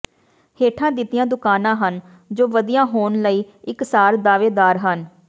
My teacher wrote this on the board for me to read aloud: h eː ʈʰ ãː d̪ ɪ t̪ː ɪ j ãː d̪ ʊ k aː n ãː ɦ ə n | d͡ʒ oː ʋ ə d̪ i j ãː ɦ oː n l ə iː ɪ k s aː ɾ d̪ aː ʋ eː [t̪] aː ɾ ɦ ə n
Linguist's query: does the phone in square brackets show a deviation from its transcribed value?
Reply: yes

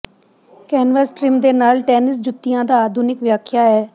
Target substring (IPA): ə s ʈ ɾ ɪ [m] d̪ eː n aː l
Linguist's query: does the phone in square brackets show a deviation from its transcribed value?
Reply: no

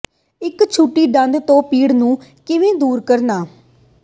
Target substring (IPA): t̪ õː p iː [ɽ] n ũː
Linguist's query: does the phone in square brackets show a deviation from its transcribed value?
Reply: no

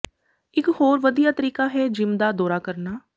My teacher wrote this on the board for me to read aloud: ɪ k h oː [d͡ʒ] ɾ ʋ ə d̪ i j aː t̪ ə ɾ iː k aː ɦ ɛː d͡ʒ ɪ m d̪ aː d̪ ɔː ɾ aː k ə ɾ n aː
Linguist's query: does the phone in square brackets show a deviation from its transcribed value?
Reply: yes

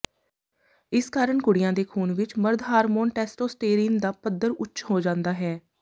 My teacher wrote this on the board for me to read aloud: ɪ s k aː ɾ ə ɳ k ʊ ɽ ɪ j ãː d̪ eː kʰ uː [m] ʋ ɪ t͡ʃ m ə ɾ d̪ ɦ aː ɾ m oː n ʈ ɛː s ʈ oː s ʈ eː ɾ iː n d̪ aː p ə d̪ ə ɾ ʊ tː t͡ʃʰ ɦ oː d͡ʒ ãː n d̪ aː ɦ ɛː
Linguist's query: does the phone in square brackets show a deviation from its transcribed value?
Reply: yes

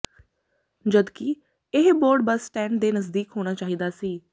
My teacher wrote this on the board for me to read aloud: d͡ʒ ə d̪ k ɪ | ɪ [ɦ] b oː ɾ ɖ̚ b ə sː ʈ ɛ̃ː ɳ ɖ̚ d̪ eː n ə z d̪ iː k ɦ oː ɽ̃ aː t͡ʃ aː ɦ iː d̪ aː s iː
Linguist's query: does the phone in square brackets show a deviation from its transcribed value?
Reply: no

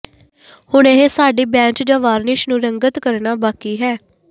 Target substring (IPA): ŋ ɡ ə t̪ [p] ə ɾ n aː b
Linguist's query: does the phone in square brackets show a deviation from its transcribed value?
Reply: yes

